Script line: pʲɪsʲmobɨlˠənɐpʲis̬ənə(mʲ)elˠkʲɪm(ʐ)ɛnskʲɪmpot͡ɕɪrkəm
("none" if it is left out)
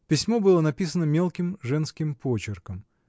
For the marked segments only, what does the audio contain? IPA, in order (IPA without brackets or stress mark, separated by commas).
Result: mʲ, ʐ